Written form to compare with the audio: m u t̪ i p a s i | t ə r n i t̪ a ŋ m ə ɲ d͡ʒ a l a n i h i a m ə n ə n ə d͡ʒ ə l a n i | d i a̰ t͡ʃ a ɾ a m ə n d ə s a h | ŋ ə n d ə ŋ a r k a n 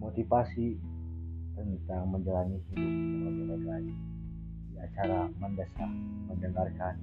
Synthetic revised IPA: m o t̪ i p a s i | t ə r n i t̪ a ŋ m ə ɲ d͡ʒ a l a n i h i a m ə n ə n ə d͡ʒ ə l a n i | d i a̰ t͡ʃ a ɾ a m ə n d ə s a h | m ə n d ə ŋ a r k a n